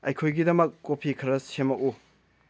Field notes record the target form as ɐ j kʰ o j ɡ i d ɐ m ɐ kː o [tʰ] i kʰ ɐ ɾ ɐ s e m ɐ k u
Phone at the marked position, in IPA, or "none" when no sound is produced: pʰ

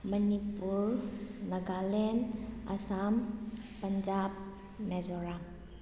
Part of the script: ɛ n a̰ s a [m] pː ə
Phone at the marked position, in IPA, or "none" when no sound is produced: m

